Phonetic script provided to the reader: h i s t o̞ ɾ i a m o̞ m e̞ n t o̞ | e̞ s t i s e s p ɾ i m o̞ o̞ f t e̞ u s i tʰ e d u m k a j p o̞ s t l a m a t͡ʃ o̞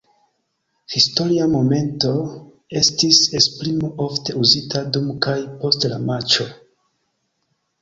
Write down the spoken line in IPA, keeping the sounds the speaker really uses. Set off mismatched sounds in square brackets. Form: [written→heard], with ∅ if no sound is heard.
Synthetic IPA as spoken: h i s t o̞ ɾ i a m o̞ m e̞ n t o̞ | e̞ s t i s e s p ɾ i m o̞ o̞ f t e̞ u [s→z] i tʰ [e→a] d u m k a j p o̞ s t l a m a t͡ʃ o̞

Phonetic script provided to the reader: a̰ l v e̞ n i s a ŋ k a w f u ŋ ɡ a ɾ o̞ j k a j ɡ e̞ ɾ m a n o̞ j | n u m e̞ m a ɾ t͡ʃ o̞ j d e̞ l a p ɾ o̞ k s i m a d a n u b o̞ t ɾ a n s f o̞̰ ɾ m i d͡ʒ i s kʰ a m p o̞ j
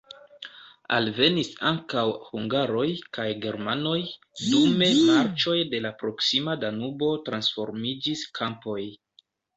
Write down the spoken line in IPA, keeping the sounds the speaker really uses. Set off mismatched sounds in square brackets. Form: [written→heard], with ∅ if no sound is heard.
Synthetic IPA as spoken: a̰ l v e̞ n i s a ŋ k a w [f→h] u ŋ ɡ a ɾ o̞ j k a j ɡ e̞ ɾ m a n o̞ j | [n→d] u m e̞ m a ɾ t͡ʃ o̞ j d e̞ l a p ɾ o̞ k s i m a d a n u b o̞ t ɾ a n s f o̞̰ ɾ m i d͡ʒ i s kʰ a m p o̞ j

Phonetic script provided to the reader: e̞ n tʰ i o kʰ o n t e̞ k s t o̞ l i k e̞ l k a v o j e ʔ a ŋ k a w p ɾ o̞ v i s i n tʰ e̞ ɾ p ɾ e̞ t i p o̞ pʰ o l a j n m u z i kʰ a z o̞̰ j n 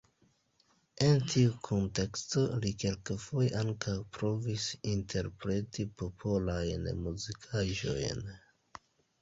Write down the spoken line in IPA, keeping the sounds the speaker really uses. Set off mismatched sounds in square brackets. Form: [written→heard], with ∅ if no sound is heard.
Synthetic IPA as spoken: e̞ n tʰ i [o→u] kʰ o n t e̞ k s t o̞ l i k e̞ l k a [v→f] o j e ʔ a ŋ k a w p ɾ o̞ v i s i n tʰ e̞ ɾ p ɾ e̞ t i p o̞ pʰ o l a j n m u z i kʰ a [z→ʒ] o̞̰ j n

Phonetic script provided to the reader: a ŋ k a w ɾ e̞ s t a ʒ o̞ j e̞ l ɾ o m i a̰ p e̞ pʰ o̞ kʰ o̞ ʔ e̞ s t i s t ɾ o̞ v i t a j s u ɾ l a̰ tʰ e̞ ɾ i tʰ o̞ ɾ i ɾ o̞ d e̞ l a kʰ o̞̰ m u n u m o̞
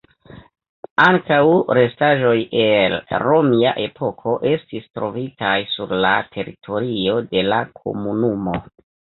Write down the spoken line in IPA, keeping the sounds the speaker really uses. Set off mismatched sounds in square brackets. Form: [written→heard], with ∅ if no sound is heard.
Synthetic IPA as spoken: a ŋ k a w ɾ e̞ s t a ʒ o̞ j e̞ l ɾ o m i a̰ [p→ʔ] e̞ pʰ o̞ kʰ o̞ ʔ e̞ s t i s t ɾ o̞ v i t a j s u ɾ l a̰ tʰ e̞ ɾ i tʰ o̞ ɾ i [ɾ→∅] o̞ d e̞ l a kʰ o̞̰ m u n u m o̞

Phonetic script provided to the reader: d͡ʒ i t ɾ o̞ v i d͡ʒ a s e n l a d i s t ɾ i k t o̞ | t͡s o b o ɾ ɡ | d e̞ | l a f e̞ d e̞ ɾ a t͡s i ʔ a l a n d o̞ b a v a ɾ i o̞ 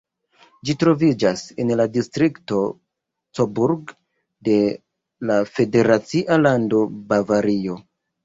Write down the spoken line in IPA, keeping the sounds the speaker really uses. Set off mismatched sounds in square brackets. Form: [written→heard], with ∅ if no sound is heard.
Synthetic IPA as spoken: d͡ʒ i t ɾ o̞ v i d͡ʒ a s e n l a d i s t ɾ i k t o̞ | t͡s o b [o→u] ɾ ɡ | d e̞ | l a f e̞ d e̞ ɾ a t͡s i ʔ a l a n d o̞ b a v a ɾ i o̞

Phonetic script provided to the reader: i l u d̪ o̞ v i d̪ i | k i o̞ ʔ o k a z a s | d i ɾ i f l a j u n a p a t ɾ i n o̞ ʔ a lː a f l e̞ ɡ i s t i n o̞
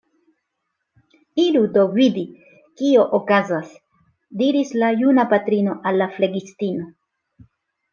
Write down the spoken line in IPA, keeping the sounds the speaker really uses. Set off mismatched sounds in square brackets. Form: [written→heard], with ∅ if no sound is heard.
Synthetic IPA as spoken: i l u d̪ o̞ v i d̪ i | k i o̞ ʔ o k a z a s | d i ɾ i [f→s] l a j u n a p a t ɾ i n o̞ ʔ a lː a f l e̞ ɡ i s t i n o̞

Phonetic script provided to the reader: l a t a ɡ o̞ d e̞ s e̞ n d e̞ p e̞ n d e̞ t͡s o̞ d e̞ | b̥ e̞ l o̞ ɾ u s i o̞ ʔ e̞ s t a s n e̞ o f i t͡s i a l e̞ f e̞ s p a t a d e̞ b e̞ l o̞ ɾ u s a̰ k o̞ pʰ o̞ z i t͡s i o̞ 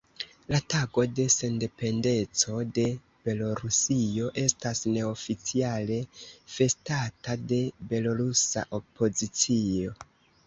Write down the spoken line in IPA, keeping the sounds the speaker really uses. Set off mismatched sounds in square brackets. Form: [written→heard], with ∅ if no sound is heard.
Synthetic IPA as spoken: l a t a ɡ o̞ d e̞ s e̞ n d e̞ p e̞ n d e̞ t͡s o̞ d e̞ | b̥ e̞ l o̞ ɾ u s i o̞ ʔ e̞ s t a s n e̞ o f i t͡s i a l e̞ f e̞ s [p→t] a t a d e̞ b e̞ l o̞ ɾ u s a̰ [k→ʔ] o̞ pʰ o̞ z i t͡s i o̞

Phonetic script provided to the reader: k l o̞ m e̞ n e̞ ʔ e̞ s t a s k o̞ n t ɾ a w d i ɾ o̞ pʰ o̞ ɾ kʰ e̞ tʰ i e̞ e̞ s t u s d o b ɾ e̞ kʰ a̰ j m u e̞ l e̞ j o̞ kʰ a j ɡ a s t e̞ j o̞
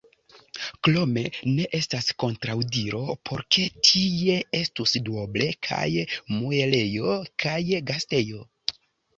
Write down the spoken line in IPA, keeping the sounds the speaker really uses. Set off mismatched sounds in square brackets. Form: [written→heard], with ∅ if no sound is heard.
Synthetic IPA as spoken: k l o̞ m e̞ n e̞ ʔ e̞ s t a s k o̞ n t ɾ a w d i ɾ o̞ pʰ o̞ ɾ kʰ e̞ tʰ i e̞ e̞ s t u s d o b [ɾ→l] e̞ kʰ a̰ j m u e̞ l e̞ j o̞ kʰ a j ɡ a s t e̞ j o̞

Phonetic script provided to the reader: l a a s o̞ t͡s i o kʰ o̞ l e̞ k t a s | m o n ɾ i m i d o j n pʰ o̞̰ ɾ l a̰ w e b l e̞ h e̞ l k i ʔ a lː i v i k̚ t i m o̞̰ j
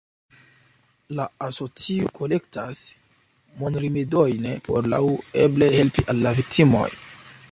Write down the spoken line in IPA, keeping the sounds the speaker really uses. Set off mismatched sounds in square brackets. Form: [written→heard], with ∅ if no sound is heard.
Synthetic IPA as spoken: l a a s o̞ t͡s i o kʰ o̞ l e̞ k t a s | m o n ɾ i m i d o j n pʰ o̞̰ ɾ l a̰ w e b l e̞ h e̞ l [k→p] i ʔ a lː [i→a] v i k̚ t i m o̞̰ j

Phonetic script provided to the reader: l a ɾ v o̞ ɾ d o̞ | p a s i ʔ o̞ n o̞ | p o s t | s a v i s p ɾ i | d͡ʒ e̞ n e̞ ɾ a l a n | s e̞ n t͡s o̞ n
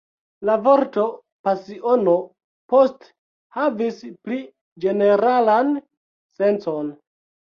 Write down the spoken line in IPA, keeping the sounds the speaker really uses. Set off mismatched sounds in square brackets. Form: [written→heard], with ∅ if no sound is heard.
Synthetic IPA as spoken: l a [ɾ→∅] v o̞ ɾ [d→t] o̞ | p a s i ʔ o̞ n o̞ | p o s t | [s→h] a v i s p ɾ i | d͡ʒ e̞ n e̞ ɾ a l a n | s e̞ n t͡s o̞ n

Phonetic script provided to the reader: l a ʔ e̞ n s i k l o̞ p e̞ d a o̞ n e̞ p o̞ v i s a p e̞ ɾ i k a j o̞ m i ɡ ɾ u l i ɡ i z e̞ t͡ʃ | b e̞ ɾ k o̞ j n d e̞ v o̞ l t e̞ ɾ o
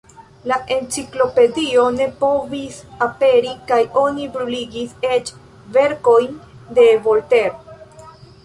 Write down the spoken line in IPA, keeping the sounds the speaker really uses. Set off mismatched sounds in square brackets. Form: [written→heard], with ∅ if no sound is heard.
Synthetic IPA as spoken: l a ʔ e̞ n [s→t͡s] i k l o̞ p e̞ d [a→i] o̞ n e̞ p o̞ v i s a p e̞ ɾ i k a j o̞ [m→n] i [ɡ→b] ɾ u l i ɡ i [z→s] e̞ t͡ʃ | [b→v] e̞ ɾ k o̞ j n d e̞ v o̞ l t e̞ ɾ o

